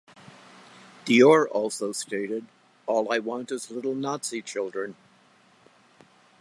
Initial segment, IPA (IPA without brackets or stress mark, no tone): ð